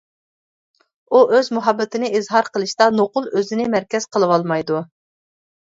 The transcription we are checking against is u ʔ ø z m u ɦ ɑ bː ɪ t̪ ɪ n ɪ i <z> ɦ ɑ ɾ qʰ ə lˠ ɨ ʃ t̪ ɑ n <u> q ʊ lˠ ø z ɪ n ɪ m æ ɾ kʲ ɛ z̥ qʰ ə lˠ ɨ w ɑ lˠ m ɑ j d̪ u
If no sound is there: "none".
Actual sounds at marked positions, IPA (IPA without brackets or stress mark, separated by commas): z, o